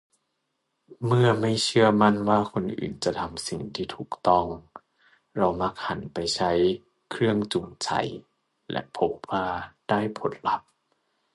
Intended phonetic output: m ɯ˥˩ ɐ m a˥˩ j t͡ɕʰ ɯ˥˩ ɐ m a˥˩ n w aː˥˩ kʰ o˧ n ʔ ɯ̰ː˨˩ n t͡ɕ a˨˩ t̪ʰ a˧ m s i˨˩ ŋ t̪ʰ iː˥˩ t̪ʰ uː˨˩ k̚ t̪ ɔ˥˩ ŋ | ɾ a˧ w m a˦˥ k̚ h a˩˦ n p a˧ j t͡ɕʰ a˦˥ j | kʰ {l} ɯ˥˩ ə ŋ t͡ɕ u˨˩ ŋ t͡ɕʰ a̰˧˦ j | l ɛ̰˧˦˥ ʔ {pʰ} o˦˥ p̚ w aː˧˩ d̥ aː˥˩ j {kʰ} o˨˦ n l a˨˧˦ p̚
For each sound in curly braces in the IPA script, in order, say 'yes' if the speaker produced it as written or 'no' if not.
no, yes, no

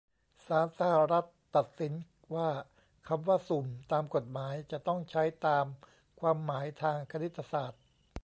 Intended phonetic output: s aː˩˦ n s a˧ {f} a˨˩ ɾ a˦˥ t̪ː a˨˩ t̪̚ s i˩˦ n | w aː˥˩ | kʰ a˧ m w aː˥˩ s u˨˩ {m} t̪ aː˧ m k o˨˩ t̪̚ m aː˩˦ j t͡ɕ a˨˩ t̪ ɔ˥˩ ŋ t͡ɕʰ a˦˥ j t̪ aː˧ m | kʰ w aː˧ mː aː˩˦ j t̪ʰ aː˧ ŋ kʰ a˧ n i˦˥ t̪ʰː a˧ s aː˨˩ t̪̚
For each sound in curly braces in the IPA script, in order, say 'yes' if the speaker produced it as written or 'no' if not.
no, yes

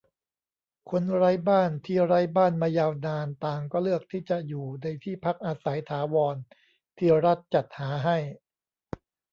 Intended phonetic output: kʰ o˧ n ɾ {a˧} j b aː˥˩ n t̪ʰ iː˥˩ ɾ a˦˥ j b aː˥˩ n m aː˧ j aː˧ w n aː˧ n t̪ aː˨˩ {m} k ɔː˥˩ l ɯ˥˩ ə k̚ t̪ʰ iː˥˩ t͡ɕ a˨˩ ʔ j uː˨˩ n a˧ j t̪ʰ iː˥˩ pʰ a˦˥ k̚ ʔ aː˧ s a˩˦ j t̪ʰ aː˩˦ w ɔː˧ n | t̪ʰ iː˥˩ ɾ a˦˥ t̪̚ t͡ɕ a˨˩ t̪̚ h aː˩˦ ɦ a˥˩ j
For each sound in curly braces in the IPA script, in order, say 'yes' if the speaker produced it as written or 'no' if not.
no, no

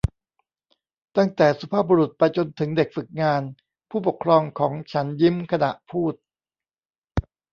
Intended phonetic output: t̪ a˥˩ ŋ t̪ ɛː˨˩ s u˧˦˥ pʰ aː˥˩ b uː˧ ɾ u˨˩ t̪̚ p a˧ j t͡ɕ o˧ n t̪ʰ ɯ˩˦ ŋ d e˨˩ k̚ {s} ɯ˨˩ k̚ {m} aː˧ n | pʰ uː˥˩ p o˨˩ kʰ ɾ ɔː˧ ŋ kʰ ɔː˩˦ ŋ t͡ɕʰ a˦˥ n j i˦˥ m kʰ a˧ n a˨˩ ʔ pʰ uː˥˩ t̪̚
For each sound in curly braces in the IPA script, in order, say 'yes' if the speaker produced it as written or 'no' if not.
no, no

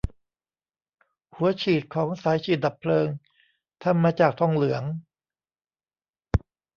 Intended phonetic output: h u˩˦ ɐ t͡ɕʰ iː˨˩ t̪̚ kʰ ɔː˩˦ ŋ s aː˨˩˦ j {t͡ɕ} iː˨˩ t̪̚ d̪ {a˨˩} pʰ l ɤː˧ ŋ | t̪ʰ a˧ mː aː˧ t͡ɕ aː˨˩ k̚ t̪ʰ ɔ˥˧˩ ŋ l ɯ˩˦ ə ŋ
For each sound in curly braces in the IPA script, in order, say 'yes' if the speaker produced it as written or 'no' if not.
no, yes

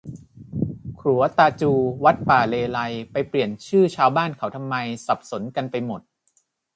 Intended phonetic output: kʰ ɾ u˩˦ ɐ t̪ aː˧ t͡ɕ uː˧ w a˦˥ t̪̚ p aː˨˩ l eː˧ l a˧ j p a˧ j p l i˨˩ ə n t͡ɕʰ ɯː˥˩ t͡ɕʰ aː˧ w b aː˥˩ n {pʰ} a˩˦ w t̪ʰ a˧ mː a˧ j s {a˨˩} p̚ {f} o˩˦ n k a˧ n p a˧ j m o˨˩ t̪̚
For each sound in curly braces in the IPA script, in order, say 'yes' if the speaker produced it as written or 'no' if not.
no, yes, no

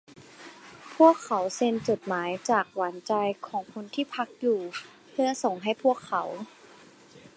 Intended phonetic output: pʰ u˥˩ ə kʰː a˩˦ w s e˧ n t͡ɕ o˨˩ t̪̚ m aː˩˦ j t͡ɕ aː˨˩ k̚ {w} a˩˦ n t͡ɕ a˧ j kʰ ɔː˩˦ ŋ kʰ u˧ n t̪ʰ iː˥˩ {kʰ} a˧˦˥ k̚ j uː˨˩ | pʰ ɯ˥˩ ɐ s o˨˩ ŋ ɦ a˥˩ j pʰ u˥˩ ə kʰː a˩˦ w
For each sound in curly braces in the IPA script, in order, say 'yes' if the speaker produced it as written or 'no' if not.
yes, no

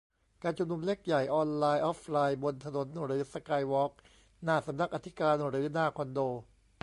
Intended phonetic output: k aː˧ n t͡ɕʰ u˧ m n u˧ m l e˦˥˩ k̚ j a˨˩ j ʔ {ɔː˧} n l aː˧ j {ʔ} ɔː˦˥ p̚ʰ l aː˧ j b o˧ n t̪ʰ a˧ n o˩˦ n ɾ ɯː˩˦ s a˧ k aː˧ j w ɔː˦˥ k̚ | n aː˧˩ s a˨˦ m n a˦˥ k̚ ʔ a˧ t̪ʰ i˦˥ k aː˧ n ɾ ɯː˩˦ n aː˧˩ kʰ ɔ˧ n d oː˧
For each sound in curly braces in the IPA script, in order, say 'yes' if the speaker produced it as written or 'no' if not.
yes, yes

